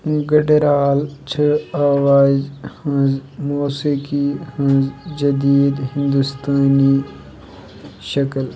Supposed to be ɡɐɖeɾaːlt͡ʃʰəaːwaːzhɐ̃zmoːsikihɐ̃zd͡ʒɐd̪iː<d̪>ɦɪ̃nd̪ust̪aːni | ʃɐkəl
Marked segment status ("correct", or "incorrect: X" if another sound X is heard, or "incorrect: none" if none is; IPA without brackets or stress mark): correct